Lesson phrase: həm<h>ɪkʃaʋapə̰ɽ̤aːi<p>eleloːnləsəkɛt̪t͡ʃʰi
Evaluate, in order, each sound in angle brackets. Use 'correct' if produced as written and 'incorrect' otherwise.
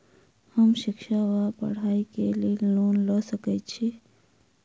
incorrect: ʃ, incorrect: k

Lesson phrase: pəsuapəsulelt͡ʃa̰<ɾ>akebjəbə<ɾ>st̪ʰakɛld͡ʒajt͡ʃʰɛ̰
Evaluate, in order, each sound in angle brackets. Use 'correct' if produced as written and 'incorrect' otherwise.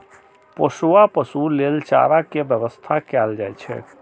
correct, incorrect: none

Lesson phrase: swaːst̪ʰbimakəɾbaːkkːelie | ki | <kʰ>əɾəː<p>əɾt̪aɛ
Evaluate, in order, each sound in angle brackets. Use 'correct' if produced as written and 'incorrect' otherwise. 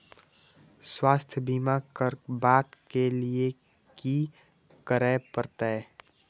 incorrect: k, correct

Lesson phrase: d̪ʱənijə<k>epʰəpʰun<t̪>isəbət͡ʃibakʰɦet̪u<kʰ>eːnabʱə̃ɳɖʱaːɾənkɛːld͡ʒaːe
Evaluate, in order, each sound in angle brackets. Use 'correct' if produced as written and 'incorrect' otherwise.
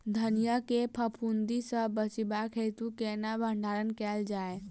correct, incorrect: d̪, incorrect: k

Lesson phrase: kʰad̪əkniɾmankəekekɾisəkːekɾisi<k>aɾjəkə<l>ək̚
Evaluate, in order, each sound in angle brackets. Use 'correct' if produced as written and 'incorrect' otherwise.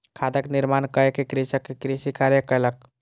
correct, correct

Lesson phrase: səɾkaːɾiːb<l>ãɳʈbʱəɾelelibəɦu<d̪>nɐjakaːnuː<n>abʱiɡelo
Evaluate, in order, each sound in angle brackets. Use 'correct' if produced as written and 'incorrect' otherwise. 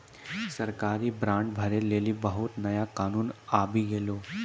incorrect: ɾ, incorrect: t̪, correct

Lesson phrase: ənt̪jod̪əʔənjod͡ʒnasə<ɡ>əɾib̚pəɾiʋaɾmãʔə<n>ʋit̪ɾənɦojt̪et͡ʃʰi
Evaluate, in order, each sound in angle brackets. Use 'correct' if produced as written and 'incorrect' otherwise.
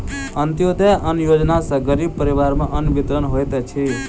correct, correct

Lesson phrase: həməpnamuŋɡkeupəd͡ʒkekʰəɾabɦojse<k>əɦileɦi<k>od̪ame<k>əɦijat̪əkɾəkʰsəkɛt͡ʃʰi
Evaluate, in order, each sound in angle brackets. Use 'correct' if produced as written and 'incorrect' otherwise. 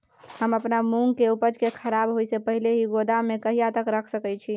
incorrect: p, incorrect: ɡ, correct

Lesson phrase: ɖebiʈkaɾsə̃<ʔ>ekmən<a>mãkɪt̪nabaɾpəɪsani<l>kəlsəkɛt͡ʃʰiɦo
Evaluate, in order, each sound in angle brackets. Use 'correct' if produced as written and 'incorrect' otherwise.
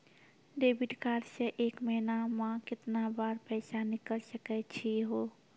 correct, correct, incorrect: none

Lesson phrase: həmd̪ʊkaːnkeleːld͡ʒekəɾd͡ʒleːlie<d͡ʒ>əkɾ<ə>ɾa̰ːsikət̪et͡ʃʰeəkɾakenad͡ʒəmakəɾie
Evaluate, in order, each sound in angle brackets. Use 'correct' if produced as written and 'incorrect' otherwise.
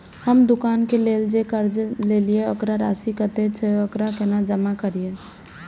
incorrect: none, incorrect: a

